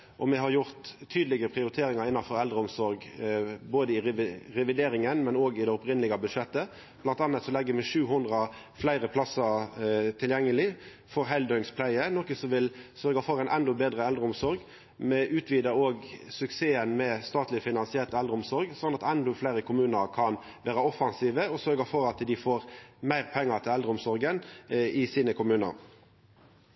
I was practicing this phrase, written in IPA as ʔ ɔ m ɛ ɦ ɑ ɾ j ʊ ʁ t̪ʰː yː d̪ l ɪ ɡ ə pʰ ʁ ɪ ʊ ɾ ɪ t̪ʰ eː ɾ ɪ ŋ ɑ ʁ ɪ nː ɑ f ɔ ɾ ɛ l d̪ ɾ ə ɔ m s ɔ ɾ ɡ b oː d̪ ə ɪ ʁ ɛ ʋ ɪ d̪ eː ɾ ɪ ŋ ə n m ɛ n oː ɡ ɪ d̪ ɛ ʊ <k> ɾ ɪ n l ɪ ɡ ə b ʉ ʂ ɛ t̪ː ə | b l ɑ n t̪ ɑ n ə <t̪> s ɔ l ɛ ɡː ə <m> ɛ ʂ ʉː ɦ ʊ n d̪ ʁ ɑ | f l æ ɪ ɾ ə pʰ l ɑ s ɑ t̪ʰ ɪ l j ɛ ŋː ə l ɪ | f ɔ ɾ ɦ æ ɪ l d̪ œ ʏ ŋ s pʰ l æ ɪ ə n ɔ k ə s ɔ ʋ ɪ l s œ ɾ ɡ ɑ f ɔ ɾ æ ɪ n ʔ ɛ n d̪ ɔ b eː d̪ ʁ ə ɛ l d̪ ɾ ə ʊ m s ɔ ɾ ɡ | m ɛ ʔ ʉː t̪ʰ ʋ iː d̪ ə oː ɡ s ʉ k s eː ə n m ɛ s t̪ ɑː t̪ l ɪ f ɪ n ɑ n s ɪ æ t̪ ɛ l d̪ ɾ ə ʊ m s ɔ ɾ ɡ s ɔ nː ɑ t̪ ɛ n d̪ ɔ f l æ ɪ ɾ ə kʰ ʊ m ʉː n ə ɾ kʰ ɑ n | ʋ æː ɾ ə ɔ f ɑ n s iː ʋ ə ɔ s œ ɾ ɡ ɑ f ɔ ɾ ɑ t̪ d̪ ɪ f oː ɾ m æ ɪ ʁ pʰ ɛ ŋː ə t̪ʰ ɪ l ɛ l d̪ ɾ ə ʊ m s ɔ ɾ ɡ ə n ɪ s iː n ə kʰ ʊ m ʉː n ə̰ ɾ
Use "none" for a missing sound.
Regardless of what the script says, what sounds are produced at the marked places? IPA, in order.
p, t̪, m

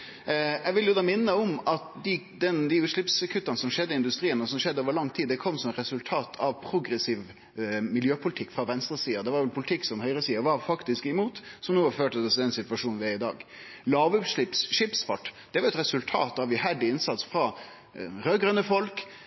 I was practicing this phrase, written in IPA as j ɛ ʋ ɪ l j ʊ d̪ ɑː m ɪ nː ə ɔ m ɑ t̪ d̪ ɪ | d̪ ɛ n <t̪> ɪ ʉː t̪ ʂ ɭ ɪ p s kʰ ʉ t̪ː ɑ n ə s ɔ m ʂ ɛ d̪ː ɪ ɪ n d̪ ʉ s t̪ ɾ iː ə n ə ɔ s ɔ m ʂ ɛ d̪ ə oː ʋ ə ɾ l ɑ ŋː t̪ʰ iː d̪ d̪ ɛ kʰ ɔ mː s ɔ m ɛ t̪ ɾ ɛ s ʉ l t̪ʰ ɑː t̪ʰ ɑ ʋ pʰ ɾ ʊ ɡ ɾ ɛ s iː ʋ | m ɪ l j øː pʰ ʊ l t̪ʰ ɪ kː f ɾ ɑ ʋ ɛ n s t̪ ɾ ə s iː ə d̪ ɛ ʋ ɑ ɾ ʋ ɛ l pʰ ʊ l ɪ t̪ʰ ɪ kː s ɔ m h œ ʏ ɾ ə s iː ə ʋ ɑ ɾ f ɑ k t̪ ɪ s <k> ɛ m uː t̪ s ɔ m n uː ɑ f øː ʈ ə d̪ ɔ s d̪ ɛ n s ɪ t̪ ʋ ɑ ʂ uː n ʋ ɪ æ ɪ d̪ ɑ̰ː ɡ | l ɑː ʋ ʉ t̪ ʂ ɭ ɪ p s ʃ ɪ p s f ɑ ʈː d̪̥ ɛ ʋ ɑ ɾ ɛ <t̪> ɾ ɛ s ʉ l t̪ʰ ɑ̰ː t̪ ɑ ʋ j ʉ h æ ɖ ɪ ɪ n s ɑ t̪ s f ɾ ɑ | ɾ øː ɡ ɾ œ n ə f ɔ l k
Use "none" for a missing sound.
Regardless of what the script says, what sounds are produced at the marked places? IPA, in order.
d̪, k, t̪

